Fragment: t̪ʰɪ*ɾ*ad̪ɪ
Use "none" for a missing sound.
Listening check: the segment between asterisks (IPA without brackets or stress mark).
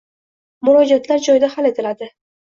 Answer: l